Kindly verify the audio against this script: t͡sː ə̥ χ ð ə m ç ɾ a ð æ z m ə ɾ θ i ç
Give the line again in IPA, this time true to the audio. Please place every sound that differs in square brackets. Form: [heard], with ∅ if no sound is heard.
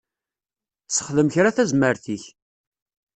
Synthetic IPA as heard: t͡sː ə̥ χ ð ə m ç ɾ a [θ] æ z m ə ɾ θ i ç